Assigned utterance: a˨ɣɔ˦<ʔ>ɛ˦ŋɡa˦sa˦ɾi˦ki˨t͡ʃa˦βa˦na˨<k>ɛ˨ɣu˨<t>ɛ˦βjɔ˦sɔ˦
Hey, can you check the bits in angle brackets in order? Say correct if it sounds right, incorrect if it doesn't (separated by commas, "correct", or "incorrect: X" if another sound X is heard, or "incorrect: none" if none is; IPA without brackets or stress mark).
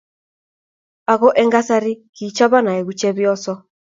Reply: correct, incorrect: none, incorrect: t͡ʃ